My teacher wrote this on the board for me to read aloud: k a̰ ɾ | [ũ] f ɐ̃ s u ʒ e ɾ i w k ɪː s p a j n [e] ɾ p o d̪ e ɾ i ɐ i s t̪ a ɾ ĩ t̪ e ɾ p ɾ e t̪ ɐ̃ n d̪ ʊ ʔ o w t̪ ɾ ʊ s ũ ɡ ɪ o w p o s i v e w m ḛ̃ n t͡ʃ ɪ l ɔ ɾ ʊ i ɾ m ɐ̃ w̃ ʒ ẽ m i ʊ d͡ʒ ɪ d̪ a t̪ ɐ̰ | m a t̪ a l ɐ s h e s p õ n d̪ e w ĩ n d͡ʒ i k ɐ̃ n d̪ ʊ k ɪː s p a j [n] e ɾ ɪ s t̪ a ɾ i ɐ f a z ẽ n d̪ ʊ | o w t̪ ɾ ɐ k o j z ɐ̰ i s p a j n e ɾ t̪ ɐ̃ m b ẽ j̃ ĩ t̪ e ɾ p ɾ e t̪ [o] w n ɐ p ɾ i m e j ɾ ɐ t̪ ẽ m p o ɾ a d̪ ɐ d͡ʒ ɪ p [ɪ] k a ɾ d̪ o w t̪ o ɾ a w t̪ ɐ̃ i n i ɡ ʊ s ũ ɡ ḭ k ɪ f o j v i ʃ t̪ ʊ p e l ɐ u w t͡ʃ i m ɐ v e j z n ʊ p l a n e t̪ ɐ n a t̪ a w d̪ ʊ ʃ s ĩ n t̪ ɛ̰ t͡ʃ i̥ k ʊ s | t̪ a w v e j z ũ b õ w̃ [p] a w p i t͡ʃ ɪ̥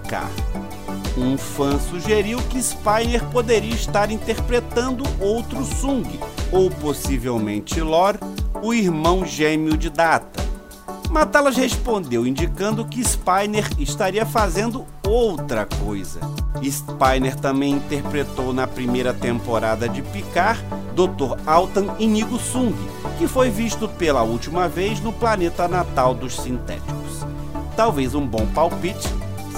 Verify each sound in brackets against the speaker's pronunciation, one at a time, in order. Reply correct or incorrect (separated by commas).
correct, correct, correct, correct, incorrect, correct